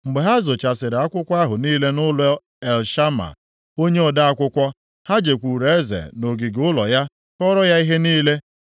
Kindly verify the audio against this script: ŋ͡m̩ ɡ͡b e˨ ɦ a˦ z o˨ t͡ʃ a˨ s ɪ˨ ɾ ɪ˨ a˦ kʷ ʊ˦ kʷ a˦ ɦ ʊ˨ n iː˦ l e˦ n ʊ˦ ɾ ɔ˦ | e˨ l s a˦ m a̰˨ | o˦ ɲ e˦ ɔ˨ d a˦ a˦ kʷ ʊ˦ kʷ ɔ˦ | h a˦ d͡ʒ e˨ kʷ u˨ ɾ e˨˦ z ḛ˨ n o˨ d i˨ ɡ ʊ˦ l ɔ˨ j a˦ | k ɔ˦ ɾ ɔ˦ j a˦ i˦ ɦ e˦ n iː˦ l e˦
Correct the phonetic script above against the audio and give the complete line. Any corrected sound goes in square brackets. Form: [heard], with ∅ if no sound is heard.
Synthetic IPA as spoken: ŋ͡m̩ ɡ͡b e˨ ɦ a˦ z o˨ t͡ʃ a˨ s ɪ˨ ɾ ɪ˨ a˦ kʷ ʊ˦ kʷ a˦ ɦ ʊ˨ n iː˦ l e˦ n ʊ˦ [l] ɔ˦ | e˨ l [ʃ] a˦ m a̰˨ | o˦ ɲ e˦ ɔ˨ d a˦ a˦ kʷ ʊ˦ kʷ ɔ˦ | h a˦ d͡ʒ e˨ kʷ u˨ ɾ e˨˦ z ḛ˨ n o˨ [ɡ] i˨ ɡ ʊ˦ l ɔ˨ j a˦ | k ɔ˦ ɾ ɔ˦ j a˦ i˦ ɦ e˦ n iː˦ l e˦